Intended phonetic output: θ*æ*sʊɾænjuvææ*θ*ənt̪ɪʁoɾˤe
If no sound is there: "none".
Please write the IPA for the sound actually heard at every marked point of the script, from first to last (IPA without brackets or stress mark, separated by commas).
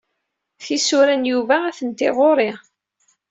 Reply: i, θ